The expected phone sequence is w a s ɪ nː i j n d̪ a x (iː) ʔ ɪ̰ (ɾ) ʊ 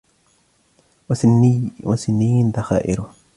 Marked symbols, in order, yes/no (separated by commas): no, yes